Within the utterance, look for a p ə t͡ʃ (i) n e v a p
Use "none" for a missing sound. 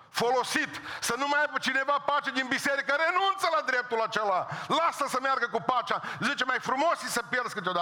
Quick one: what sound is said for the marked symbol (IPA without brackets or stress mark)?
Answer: i